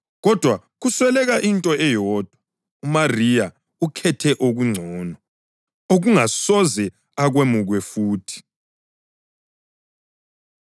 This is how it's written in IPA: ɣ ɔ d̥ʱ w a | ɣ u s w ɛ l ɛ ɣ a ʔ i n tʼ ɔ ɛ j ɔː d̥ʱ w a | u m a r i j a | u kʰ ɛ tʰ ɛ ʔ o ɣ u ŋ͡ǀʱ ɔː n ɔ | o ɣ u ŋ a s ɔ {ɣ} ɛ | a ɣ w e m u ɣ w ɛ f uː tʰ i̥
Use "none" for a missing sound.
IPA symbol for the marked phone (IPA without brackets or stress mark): z